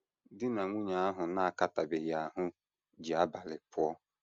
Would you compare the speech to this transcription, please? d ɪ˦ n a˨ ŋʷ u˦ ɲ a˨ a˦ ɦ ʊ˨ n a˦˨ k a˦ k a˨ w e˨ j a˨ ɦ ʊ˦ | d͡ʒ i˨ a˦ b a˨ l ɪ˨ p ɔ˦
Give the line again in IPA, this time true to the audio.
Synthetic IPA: d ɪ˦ n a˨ ŋʷ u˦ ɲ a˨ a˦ ɦ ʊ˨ n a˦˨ k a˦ t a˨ b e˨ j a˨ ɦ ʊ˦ | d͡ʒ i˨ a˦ b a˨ l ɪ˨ p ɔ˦